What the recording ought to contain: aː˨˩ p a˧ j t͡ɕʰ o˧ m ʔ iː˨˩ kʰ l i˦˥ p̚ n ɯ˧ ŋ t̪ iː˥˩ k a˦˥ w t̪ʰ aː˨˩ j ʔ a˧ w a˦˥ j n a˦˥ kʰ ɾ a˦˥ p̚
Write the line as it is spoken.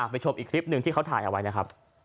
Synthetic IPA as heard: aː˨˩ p a˧ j t͡ɕʰ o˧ m ʔ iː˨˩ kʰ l i˦˥ p̚ n ɯ˧ ŋ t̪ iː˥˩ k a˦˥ w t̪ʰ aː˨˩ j ʔ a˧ w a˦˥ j n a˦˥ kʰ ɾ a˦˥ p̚